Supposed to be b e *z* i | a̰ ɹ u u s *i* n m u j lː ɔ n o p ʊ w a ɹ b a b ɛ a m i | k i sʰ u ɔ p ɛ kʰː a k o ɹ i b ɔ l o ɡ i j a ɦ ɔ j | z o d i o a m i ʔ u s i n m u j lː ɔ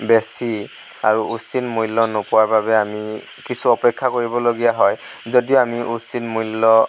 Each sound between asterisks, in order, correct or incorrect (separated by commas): incorrect, correct